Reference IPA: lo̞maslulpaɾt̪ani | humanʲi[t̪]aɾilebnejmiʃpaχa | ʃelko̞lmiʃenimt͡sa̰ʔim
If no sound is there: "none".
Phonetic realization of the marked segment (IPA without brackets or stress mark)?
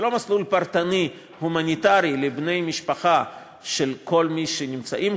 t̪